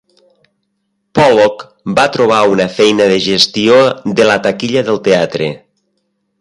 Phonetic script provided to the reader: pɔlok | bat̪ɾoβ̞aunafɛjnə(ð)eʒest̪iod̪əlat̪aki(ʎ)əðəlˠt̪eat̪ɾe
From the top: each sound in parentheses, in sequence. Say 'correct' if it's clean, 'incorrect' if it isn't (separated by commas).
correct, correct